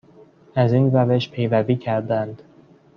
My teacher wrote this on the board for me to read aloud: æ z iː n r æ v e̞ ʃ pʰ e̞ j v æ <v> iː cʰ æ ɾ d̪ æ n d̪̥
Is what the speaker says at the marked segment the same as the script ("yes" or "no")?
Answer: yes